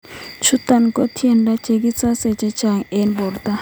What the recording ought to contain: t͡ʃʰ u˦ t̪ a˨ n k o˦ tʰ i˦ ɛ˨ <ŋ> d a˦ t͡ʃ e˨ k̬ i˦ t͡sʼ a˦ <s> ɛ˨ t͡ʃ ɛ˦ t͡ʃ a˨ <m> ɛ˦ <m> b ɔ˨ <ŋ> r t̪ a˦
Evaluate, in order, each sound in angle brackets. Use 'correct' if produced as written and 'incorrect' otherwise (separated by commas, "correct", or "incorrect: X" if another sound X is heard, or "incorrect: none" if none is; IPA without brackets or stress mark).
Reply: incorrect: n, correct, incorrect: ŋ, incorrect: n, incorrect: none